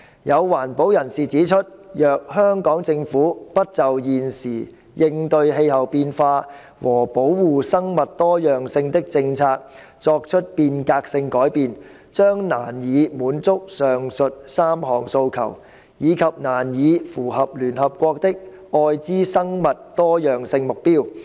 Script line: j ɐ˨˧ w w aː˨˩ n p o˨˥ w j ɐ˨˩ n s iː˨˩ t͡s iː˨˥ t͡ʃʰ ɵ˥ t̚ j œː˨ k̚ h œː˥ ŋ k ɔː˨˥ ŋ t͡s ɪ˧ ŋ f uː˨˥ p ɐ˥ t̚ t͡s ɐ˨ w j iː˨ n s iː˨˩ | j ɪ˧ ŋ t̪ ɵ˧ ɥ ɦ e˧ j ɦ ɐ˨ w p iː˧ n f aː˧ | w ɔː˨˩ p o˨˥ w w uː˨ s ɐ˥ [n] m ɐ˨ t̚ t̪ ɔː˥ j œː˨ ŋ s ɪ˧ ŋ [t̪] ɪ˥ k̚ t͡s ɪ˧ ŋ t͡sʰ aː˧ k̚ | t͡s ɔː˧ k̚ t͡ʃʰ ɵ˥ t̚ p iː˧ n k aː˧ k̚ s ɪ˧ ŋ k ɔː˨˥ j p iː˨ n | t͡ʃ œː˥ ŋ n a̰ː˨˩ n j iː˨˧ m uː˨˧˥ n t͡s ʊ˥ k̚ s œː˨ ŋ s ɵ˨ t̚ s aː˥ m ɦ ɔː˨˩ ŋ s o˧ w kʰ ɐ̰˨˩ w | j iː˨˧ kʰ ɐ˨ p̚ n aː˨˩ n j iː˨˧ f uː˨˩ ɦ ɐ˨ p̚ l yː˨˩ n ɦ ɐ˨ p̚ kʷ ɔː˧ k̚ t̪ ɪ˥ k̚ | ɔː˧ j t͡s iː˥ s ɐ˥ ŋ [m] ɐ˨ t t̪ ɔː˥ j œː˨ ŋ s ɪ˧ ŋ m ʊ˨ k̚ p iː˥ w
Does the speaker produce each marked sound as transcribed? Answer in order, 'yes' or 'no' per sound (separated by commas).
no, yes, yes